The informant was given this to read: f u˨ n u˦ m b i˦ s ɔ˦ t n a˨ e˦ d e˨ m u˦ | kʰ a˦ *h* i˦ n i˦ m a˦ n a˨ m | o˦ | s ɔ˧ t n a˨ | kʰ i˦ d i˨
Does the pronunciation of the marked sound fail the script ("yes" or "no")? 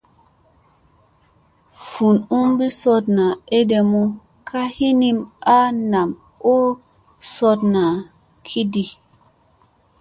no